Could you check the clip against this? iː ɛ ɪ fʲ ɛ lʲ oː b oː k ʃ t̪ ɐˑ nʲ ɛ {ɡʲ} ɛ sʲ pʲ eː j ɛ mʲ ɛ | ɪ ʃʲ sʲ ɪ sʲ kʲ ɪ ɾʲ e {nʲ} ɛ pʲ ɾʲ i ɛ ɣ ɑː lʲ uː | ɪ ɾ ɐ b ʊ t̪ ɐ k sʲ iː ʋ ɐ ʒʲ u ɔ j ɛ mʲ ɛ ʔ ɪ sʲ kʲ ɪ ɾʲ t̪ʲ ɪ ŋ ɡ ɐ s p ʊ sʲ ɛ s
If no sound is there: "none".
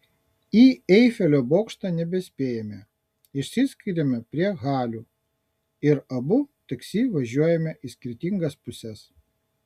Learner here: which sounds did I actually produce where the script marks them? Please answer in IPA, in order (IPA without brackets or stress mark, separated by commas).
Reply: bʲ, mʲ